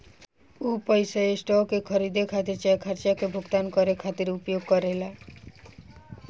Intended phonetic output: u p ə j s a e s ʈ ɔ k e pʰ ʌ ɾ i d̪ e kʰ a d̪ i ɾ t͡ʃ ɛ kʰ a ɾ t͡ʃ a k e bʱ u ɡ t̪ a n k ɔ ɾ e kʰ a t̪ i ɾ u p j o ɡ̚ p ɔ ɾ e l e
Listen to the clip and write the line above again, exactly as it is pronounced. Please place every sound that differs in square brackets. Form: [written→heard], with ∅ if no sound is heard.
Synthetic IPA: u p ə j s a e s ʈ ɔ k e [pʰ→kʰ] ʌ ɾ i d̪ e kʰ a [d̪→t̪] i ɾ t͡ʃ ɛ kʰ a ɾ t͡ʃ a k e bʱ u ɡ t̪ a n k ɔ ɾ e kʰ a t̪ i ɾ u p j o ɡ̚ [p→k] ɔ ɾ e l [e→a]